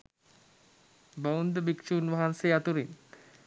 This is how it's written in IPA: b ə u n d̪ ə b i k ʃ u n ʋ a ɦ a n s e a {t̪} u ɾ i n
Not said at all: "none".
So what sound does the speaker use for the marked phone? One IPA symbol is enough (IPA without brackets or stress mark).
t̪